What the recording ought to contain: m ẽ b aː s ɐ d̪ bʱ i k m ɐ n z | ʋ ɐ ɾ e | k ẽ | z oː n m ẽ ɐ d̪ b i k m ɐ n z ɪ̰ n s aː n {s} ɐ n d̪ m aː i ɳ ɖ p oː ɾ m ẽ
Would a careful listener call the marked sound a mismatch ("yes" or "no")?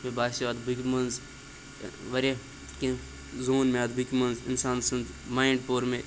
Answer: no